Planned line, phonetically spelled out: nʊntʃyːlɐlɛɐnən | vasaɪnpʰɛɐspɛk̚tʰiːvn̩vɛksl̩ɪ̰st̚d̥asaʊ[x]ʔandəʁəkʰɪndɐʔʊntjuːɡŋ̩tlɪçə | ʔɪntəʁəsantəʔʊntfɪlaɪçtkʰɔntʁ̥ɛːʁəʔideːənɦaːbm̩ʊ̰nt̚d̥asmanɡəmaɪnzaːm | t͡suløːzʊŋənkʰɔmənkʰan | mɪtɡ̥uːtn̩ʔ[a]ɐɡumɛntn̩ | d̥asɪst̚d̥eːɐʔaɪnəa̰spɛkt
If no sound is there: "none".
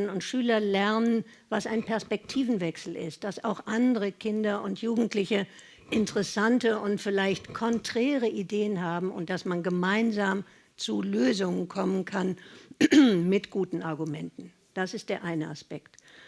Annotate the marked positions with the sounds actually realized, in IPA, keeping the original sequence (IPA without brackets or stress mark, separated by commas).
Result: x, a